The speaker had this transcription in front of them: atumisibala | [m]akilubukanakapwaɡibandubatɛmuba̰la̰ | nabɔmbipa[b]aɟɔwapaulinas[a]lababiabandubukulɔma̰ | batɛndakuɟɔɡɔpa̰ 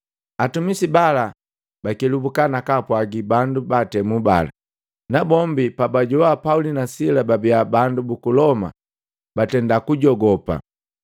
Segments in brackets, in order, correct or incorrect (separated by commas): incorrect, correct, incorrect